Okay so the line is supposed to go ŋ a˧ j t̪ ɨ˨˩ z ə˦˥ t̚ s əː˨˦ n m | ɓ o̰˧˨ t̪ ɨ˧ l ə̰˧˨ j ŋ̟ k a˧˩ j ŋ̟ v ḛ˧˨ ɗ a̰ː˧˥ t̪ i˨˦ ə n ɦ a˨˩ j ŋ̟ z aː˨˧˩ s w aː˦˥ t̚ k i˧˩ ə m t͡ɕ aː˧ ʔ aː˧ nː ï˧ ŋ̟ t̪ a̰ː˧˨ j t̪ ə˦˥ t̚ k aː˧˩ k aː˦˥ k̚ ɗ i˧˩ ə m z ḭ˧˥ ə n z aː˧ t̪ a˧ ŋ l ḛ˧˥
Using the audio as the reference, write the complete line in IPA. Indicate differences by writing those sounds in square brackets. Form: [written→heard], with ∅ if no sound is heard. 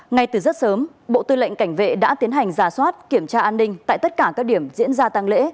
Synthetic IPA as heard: ŋ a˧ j t̪ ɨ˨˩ z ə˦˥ t̚ s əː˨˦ [n→∅] m | ɓ o̰˧˨ t̪ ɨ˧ l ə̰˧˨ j ŋ̟ k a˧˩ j ŋ̟ v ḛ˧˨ ɗ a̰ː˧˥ t̪ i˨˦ ə n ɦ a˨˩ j ŋ̟ z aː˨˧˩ s w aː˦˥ t̚ k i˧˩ ə m t͡ɕ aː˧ ʔ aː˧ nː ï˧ ŋ̟ t̪ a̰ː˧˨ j t̪ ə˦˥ t̚ k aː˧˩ k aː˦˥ k̚ ɗ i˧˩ ə m z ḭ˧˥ ə n z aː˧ t̪ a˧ ŋ l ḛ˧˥